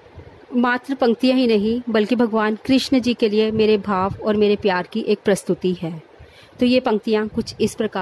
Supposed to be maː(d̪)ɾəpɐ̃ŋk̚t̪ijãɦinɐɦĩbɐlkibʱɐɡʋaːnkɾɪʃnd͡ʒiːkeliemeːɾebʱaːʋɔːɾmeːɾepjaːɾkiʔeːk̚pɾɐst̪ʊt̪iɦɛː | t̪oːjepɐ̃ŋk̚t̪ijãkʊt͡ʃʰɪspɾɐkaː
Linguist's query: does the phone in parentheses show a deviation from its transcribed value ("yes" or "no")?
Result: yes